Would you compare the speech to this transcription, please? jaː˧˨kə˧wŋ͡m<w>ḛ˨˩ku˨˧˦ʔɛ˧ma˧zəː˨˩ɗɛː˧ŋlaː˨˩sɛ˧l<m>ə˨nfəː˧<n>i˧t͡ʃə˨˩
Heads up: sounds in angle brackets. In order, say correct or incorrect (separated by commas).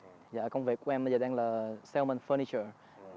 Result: incorrect, correct, correct